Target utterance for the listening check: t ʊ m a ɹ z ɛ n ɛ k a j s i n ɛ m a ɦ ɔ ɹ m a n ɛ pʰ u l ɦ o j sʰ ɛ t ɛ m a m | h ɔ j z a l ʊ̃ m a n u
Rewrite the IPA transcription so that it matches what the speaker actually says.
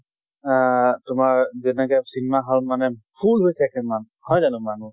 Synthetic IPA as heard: t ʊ m a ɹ z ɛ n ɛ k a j s i n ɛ m a ɦ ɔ l m a n ɛ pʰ u l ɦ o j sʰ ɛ k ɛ m a n | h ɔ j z a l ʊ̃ m a n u